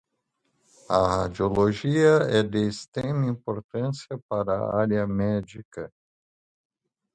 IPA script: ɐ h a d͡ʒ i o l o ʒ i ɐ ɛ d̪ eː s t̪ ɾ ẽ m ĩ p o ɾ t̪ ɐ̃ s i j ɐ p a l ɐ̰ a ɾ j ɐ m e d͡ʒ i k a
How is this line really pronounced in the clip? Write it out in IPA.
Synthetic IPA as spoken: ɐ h a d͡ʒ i o l o ʒ i ɐ ɛ d̪ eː s t̪ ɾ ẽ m ĩ p o ɾ t̪ ɐ̃ s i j ɐ p a ɾ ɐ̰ a ɾ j ɐ m ɛ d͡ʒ i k ɐ